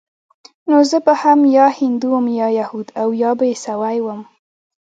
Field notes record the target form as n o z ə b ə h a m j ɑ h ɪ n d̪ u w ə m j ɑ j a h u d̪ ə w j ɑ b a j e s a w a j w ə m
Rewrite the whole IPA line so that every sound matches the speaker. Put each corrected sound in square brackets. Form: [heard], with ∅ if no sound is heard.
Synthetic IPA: n o z ə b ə h a m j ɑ h ɪ n d̪ u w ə m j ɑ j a h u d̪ [a] w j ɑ b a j e s a w a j w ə m